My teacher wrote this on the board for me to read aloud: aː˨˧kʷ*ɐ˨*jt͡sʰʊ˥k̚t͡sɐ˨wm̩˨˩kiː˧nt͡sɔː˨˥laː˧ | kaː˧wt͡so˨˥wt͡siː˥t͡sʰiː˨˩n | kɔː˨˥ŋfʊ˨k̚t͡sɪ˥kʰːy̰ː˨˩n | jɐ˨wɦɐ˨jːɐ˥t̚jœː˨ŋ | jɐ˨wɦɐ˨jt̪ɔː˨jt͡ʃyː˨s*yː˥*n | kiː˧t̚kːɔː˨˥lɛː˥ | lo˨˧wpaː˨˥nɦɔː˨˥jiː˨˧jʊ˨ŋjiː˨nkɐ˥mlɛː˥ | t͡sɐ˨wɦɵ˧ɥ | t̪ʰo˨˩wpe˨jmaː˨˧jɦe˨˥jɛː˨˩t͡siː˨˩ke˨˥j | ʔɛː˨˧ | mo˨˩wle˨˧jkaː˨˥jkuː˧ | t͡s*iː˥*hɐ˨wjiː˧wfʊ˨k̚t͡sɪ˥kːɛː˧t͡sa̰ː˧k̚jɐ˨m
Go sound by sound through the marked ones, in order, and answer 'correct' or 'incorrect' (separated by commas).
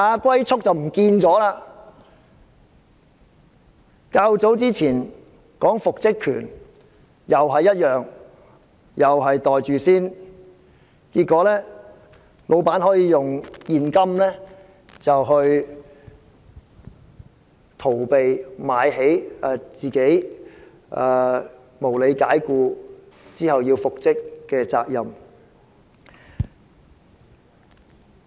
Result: incorrect, incorrect, correct